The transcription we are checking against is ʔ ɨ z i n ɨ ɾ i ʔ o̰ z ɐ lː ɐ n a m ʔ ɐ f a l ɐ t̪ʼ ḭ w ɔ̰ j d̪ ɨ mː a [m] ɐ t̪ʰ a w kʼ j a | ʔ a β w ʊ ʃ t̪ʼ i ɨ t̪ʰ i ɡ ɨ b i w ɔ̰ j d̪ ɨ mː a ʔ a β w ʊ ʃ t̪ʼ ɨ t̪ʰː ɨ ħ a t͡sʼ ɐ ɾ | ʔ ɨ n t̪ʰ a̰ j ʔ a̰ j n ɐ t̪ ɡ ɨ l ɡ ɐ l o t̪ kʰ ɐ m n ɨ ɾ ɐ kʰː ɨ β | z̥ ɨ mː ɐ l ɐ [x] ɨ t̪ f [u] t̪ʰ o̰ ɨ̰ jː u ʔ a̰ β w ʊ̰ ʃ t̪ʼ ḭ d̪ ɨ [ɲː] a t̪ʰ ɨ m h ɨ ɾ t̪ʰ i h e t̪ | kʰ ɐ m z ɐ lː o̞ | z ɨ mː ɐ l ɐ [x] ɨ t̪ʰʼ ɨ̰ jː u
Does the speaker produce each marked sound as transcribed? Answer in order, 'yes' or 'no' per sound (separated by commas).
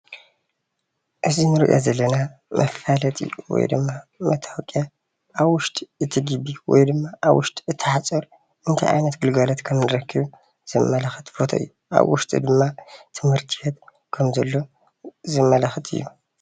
yes, yes, no, no, yes